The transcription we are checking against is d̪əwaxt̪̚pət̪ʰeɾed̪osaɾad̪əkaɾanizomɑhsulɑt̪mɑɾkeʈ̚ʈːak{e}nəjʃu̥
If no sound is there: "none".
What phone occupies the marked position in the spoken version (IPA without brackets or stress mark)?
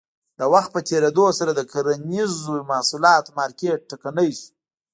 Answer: a